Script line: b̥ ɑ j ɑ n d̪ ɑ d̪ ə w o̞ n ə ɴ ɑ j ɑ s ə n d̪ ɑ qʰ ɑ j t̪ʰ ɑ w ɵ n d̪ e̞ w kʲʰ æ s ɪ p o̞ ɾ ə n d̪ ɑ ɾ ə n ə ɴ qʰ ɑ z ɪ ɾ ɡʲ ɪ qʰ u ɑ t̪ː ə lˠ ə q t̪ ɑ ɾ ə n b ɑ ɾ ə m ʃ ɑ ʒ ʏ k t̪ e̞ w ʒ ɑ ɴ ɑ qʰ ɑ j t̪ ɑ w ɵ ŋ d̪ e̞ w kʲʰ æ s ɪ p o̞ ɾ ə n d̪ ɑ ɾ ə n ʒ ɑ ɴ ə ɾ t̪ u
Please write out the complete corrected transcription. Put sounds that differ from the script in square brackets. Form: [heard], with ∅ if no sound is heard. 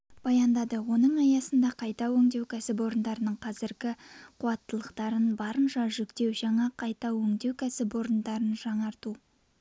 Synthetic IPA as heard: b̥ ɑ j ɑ n d̪ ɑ d̪ ə w o̞ n ə ɴ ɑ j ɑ s ə n d̪ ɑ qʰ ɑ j [t̪] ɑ w ɵ [ŋ] d̪ e̞ w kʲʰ æ s ɪ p o̞ ɾ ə n d̪ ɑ ɾ ə n ə ɴ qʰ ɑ z ɪ ɾ ɡʲ ɪ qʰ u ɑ t̪ː ə lˠ ə q t̪ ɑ ɾ ə n b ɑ ɾ ə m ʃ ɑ ʒ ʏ k t̪ e̞ w ʒ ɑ ɴ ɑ qʰ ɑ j t̪ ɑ w ɵ ŋ d̪ e̞ w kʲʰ æ s ɪ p o̞ ɾ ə n d̪ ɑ ɾ ə n ʒ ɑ ɴ [ɑ] ɾ t̪ u